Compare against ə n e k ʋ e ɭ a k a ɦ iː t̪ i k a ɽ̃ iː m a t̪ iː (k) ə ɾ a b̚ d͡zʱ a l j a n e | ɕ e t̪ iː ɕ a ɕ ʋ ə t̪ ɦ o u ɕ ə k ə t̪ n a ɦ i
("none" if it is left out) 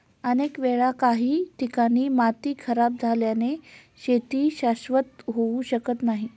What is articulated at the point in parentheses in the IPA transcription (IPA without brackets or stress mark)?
kʰ